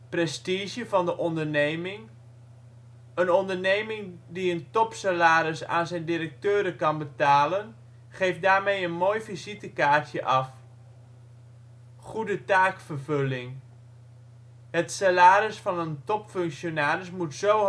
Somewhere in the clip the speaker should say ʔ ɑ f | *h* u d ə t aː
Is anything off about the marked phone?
yes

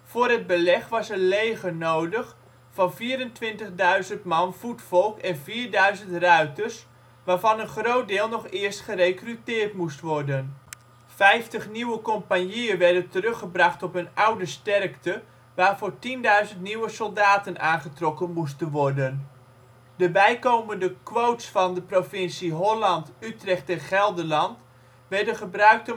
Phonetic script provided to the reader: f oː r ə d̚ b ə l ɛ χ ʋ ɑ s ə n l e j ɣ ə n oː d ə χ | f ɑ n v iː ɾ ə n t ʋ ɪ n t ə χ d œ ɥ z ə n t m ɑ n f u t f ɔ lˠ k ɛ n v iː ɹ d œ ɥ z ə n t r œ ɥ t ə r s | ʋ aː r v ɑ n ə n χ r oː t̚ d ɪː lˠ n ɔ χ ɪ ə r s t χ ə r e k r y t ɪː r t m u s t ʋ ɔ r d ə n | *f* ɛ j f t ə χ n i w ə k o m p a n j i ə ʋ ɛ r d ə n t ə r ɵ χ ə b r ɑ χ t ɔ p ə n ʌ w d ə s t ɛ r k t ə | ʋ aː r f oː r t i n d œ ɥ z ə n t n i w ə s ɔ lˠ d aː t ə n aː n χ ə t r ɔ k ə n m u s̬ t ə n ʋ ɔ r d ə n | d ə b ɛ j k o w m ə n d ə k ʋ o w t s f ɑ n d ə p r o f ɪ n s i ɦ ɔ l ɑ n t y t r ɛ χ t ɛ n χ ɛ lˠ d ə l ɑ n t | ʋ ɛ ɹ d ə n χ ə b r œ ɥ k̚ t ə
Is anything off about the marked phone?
no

